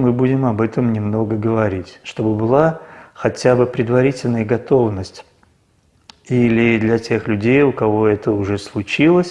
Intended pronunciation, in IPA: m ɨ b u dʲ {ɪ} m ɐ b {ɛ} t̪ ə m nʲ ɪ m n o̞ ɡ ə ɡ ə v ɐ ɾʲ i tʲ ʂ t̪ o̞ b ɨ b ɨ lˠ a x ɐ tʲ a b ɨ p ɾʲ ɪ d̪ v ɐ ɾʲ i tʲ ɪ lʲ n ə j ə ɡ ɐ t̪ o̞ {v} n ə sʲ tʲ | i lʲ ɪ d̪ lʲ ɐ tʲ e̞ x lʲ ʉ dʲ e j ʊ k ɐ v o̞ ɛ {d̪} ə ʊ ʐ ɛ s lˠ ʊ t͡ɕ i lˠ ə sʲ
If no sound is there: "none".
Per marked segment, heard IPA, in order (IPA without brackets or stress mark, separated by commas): ɪ, ɛ, v, t̪